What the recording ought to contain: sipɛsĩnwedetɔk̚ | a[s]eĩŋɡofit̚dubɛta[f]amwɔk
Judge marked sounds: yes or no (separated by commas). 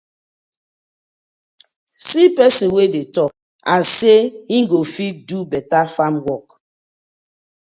yes, yes